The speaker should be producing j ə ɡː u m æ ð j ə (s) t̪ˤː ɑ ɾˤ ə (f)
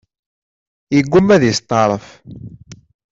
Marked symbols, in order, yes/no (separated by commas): yes, yes